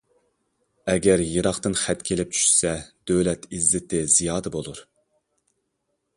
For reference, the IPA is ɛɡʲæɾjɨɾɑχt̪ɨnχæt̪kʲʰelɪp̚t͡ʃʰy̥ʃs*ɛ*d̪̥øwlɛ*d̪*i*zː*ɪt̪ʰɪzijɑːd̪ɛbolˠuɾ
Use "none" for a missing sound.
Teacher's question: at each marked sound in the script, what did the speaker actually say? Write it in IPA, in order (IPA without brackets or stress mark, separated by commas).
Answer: ɛ, t̪, zː